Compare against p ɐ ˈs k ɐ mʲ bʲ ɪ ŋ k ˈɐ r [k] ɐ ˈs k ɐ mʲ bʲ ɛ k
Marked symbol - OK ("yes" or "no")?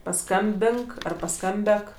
no